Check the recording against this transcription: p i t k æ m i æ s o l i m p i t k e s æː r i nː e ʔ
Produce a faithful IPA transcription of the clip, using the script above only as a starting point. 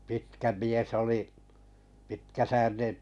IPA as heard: p i t k æ m i e s o l i p i t k æ s æː r i n e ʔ